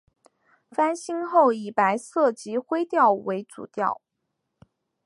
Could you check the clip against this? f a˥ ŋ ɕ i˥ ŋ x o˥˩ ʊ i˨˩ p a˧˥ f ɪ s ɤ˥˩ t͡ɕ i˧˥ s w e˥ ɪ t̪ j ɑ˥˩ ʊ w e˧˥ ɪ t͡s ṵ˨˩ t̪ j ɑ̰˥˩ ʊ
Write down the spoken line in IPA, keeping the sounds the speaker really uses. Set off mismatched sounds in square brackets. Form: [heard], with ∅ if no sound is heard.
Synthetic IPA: f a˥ [n] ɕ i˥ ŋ x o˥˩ ʊ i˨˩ p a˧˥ [∅] ɪ s ɤ˥˩ t͡ɕ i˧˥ [x] w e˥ ɪ t̪ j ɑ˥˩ ʊ w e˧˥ ɪ t͡s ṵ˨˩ t̪ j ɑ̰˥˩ ʊ

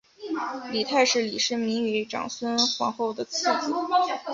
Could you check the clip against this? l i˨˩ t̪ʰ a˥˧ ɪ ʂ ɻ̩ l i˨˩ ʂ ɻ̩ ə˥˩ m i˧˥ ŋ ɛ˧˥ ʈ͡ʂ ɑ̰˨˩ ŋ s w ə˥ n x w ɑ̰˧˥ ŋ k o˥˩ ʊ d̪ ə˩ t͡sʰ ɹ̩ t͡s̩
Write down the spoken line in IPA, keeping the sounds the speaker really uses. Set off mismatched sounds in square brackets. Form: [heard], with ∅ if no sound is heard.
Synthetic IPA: l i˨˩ t̪ʰ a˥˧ ɪ ʂ ɻ̩ l i˨˩ ʂ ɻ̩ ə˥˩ m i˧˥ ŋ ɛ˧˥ ʈ͡ʂ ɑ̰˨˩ ŋ s w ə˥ n x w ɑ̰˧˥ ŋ [x] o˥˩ ʊ d̪ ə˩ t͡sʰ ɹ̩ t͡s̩

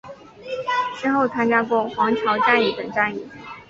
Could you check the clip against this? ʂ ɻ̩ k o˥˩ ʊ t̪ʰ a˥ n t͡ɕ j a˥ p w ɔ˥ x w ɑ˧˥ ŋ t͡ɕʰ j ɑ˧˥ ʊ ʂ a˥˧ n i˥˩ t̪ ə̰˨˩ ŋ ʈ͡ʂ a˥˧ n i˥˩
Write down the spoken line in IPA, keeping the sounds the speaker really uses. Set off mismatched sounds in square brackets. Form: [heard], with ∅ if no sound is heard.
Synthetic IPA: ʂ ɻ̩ [x] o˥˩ ʊ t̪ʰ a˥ n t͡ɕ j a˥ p w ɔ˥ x w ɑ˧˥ ŋ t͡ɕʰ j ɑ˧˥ ʊ [ʈ͡ʂ] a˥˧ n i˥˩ t̪ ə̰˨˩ ŋ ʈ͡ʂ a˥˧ n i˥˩

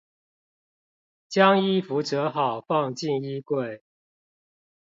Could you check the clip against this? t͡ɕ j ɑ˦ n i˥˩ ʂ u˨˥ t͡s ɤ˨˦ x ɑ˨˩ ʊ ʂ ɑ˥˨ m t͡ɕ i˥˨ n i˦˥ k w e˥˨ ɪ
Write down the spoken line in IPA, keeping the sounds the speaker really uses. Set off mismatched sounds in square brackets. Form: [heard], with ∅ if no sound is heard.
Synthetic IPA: t͡ɕ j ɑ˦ [ŋ] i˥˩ [f] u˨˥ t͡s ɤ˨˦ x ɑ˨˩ ʊ [f] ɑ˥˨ [ŋ] t͡ɕ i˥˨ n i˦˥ k w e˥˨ ɪ

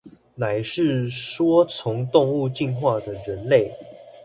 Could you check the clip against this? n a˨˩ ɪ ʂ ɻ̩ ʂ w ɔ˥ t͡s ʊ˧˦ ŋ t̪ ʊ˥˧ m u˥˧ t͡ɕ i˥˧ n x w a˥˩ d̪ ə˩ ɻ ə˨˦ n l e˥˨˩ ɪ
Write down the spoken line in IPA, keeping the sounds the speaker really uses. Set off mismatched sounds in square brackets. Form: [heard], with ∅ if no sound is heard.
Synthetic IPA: n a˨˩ ɪ ʂ ɻ̩ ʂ w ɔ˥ [t͡sʰ] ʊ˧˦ ŋ t̪ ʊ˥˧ [ŋ] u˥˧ t͡ɕ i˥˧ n x w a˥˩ d̪ ə˩ ɻ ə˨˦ n l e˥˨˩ ɪ

